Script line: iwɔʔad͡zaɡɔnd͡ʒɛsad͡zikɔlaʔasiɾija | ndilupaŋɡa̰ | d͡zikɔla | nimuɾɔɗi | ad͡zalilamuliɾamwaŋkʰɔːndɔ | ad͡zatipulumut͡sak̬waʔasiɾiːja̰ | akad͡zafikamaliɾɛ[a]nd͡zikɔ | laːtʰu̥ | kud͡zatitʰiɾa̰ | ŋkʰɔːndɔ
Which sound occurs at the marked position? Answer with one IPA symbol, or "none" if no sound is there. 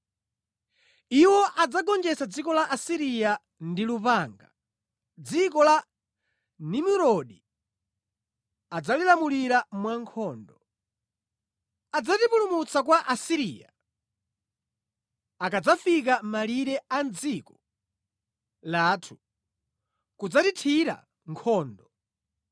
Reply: a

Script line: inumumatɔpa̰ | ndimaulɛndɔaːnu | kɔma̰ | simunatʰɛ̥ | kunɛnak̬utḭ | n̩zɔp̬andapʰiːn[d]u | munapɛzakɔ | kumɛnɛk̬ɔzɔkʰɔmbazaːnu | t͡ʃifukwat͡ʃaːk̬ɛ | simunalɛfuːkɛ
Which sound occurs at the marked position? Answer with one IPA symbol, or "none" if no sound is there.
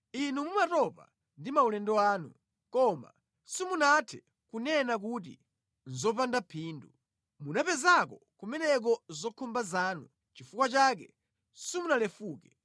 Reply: d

